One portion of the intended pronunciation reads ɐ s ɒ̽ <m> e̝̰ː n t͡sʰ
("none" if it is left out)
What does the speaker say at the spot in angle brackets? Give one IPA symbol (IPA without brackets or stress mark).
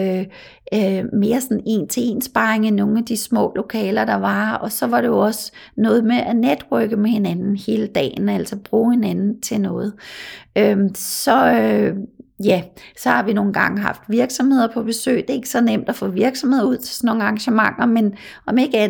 n